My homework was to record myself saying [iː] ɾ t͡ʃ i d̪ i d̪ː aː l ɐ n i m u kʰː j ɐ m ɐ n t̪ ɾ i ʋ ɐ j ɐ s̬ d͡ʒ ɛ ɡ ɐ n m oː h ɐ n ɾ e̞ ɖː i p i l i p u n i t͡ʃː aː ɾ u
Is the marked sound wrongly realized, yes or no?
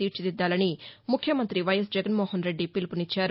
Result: no